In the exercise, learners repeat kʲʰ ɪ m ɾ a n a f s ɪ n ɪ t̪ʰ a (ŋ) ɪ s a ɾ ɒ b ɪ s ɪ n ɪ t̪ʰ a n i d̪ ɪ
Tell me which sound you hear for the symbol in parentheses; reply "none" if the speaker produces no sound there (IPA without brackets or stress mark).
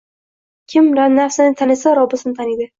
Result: n